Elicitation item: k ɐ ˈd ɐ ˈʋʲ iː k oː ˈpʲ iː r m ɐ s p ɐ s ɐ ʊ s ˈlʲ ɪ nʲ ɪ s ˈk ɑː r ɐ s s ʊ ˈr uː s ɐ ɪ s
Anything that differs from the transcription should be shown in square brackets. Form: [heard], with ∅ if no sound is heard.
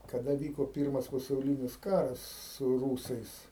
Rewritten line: k ɐ ˈd ɐ ˈʋʲ iː k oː ˈpʲ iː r m ɐ s p ɐ s ɐ ʊ [∅] ˈlʲ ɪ nʲ ɪ s ˈk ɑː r ɐ s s ʊ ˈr uː s ɐ ɪ s